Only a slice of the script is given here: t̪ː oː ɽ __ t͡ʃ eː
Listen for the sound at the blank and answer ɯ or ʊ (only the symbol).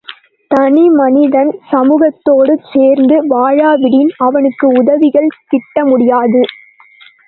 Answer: ɯ